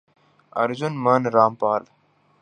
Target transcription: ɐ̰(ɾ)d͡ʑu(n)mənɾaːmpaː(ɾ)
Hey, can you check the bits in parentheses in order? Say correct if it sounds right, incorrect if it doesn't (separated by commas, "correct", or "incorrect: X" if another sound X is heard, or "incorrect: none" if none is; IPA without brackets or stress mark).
correct, correct, incorrect: l